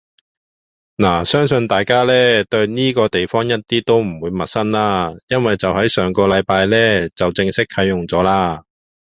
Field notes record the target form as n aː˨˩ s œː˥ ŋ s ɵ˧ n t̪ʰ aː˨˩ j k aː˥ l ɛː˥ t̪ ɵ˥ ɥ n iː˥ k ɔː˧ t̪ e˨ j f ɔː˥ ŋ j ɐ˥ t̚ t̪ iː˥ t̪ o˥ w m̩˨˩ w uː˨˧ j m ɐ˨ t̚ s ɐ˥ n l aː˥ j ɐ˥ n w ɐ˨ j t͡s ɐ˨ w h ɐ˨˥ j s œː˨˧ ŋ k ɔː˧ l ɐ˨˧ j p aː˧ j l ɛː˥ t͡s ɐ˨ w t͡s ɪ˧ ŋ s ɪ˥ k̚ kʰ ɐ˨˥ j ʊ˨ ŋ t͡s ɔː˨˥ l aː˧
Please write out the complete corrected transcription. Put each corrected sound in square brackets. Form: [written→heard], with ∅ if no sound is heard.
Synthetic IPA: n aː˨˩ s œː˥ ŋ s ɵ˧ n [t̪ʰ→t̪] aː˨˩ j k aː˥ l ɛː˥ t̪ [ɵ˥→ɵ˧] ɥ n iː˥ k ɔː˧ t̪ e˨ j f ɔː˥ ŋ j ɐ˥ t̚ t̪ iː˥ t̪ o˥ w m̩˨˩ w uː˨˧ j m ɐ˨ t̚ s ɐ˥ n l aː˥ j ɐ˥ n w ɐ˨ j t͡s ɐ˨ w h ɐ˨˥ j s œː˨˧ ŋ k ɔː˧ l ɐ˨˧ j p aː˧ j l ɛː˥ t͡s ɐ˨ w t͡s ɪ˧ ŋ s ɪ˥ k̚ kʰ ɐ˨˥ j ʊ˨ ŋ t͡s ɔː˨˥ l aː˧